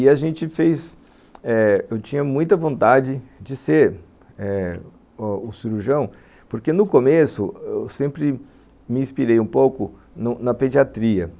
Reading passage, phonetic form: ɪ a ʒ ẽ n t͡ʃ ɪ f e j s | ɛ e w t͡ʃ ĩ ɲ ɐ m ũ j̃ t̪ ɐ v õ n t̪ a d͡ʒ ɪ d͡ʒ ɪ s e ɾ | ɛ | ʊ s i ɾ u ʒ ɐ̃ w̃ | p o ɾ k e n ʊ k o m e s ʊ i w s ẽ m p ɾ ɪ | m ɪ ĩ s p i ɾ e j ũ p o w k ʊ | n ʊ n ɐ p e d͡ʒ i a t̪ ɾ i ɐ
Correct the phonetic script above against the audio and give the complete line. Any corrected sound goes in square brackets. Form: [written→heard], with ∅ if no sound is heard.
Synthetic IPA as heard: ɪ a ʒ ẽ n t͡ʃ ɪ f e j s | ɛ e w t͡ʃ ĩ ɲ ɐ m ũ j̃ t̪ ɐ v õ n t̪ a d͡ʒ ɪ d͡ʒ ɪ s e ɾ | ɛ | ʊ s i ɾ u ʒ ɐ̃ w̃ | p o ɾ k e n ʊ k o m e s ʊ [i→e] w s ẽ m p ɾ ɪ | m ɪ ĩ s p i ɾ e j ũ p o w k ʊ | n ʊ n ɐ p e d͡ʒ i a t̪ ɾ i ɐ